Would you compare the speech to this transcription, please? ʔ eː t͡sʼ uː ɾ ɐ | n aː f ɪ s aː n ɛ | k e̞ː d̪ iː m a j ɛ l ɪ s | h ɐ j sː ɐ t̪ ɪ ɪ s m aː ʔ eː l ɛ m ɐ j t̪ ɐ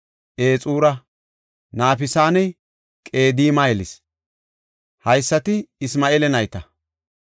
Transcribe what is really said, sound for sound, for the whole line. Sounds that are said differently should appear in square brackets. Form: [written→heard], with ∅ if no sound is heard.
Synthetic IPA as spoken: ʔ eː t͡sʼ uː ɾ ɐ | n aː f ɪ s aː n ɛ | [k→kʼ] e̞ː d̪ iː m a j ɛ l ɪ s | h ɐ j sː ɐ t̪ ɪ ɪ s m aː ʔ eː l ɛ [m→n] ɐ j t̪ ɐ